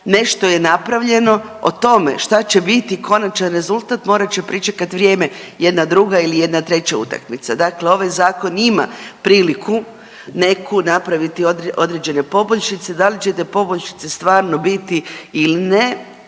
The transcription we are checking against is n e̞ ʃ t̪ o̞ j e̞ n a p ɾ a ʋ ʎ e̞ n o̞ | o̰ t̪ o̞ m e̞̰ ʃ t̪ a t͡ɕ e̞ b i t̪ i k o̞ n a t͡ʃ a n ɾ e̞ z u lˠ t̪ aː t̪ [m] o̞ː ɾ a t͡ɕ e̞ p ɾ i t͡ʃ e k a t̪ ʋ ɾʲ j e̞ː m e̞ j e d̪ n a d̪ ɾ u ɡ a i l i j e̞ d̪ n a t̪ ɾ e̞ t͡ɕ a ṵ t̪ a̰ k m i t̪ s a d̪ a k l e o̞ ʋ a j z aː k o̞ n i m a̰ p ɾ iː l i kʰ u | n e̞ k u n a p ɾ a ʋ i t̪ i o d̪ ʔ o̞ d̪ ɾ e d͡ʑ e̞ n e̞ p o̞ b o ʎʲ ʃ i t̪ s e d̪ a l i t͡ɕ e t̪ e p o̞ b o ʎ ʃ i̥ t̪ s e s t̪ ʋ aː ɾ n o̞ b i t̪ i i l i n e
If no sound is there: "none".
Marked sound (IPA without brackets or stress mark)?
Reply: m